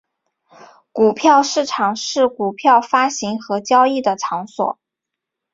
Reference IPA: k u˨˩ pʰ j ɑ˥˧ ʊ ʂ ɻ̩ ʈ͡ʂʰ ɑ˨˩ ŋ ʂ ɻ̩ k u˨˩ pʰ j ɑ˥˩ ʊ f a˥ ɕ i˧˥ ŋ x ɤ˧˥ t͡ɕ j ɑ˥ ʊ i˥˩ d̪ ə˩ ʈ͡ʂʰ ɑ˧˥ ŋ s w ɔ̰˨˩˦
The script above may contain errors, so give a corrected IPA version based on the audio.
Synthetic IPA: k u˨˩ pʰ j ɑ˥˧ ʊ ʂ ɻ̩ ʈ͡ʂʰ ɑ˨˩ ŋ ʂ ɻ̩ k u˨˩ pʰ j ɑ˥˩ ʊ f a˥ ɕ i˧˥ ŋ x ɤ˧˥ t͡ɕ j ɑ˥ ʊ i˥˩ d̪ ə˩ ʈ͡ʂʰ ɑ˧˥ ŋ s w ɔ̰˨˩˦